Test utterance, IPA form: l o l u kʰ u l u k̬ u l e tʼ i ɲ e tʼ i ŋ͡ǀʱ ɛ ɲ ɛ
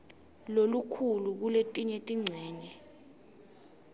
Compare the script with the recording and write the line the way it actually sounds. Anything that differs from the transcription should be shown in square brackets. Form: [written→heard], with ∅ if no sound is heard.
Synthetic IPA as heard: l o l u kʰ u l u k̬ u l e tʼ i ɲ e tʼ i ŋ͡ǀʱ [ɛ→ɛː] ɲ ɛ